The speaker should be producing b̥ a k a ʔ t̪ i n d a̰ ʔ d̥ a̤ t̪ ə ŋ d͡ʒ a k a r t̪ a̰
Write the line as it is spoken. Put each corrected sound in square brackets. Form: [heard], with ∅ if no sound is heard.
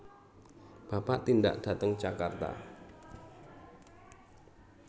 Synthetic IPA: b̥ a [p] a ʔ t̪ i n d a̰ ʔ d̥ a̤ t̪ ə ŋ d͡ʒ a k a r t̪ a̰